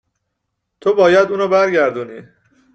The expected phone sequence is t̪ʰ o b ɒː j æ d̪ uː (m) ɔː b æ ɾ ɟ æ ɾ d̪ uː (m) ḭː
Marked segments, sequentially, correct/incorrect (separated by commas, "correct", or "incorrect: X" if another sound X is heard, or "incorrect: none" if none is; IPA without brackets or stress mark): incorrect: n, incorrect: n